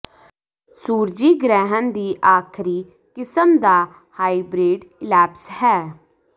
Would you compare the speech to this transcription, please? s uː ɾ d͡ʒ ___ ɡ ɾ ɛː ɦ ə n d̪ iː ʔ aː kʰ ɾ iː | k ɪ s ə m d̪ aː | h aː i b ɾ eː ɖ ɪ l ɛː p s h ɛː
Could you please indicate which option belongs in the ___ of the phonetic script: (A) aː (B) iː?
B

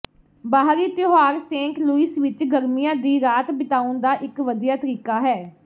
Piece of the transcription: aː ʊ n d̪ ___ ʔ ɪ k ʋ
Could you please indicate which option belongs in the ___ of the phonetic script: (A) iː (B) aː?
B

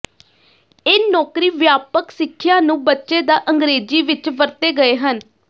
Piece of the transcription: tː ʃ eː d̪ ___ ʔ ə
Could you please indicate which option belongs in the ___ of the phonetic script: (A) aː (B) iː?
A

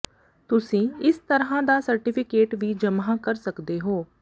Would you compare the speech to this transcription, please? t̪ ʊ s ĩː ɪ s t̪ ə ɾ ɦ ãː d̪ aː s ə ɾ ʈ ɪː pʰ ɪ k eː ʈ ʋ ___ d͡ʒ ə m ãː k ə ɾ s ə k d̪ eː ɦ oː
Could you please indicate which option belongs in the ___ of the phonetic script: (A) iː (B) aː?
A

